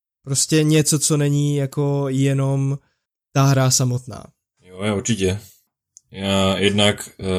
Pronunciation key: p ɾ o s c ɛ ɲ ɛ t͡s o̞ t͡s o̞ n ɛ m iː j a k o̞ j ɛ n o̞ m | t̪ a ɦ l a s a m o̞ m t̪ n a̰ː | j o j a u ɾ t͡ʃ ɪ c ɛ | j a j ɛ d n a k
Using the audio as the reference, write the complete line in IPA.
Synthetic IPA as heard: p ɾ o s c ɛ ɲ ɛ t͡s o̞ t͡s o̞ n ɛ ɲ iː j a k o̞ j ɛ n o̞ m | t̪ a ɦ ɾ a s a m o̞ t̪ n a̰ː | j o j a u ɾ t͡ʃ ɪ c ɛ | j a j ɛ d n a k